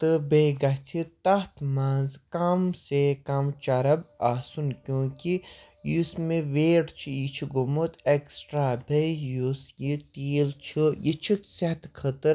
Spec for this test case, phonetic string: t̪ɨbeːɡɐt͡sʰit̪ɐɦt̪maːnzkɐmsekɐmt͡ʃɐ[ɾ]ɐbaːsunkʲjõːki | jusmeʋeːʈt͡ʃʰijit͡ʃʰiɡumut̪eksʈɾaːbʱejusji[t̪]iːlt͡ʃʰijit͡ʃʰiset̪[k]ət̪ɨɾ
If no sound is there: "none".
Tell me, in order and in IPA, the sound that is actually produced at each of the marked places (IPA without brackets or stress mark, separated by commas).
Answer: ɾ, t̪, kʰ